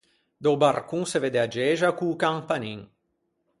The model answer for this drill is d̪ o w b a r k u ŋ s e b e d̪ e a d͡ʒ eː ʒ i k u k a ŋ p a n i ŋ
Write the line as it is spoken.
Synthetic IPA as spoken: d̪ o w b a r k u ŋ s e v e d̪ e a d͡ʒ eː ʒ a k u k a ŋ p a n i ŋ